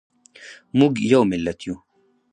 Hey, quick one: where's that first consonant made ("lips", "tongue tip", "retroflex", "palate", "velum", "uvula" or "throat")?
lips